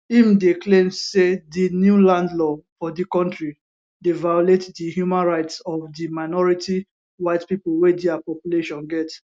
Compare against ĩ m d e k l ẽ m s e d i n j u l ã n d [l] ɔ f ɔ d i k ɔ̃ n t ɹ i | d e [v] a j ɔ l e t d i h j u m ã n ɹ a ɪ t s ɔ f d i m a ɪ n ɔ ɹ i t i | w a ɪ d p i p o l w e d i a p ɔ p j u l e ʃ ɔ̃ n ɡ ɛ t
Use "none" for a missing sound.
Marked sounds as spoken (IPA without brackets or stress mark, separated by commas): l, v